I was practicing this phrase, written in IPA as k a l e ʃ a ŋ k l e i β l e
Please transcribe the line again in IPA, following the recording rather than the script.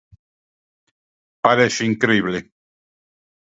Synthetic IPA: p a ɾ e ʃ i ŋ k ɾ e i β l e